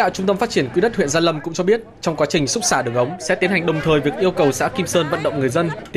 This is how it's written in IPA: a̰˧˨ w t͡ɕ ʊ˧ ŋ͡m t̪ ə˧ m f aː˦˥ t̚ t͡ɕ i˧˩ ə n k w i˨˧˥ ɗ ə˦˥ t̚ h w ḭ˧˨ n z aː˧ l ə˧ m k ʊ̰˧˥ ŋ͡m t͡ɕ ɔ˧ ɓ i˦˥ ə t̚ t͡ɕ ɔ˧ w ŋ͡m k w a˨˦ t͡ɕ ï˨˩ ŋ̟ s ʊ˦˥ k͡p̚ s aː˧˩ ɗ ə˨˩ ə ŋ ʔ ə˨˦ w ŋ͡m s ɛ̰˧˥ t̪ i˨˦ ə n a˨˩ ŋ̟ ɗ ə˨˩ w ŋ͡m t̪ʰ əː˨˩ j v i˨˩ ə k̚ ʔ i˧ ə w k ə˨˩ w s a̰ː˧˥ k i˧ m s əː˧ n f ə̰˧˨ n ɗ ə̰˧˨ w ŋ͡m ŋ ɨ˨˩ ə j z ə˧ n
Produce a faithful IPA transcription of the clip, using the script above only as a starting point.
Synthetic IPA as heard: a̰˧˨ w t͡ɕ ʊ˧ ŋ͡m t̪ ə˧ m f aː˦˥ t̚ t͡ɕ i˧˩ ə n k w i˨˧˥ ɗ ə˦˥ t̚ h w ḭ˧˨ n z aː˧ l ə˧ m k ʊ̰˧˥ ŋ͡m t͡ɕ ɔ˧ ɓ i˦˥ ə t̚ t͡ɕ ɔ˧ w ŋ͡m k w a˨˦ t͡ɕ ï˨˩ ŋ̟ s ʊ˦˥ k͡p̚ s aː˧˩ ɗ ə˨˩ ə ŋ ʔ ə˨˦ w ŋ͡m s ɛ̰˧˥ t̪ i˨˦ ə n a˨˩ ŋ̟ ɗ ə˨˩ w ŋ͡m t̪ʰ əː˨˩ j v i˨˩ ə k̚ ʔ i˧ ə w k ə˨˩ w s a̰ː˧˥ k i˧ m s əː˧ n v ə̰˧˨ n ɗ ə̰˧˨ w ŋ͡m ŋ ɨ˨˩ ə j z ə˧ n